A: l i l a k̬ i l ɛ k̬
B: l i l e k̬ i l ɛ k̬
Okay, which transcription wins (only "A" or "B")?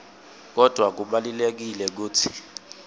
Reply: B